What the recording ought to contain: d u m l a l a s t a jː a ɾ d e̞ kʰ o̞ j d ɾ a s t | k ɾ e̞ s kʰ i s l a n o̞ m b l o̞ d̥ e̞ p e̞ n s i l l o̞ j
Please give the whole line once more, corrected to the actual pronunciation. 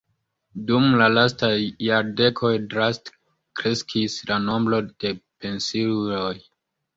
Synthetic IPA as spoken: d u m l a l a s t a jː a ɾ d e̞ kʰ o̞ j d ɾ a s t | k ɾ e̞ s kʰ i s l a n o̞ m b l o̞ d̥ e̞ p e̞ n s i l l o̞ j